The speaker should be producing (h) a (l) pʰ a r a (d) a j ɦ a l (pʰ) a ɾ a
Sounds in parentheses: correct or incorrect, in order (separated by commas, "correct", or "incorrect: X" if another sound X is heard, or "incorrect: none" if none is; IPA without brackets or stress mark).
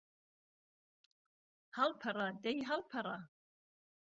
correct, correct, correct, correct